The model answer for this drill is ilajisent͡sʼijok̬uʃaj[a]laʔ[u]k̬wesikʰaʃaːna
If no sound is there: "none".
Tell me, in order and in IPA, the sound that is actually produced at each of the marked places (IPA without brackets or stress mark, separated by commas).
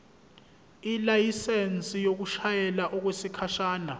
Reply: ɛ, ɔ